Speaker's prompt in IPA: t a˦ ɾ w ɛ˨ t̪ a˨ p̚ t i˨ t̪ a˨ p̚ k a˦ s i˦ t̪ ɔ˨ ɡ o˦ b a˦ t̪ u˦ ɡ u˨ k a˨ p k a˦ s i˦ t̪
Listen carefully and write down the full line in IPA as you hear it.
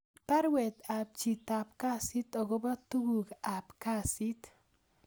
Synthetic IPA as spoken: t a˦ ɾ w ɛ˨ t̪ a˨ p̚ t͡ʃ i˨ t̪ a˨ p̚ k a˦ s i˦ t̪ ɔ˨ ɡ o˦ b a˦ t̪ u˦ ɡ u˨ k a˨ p k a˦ s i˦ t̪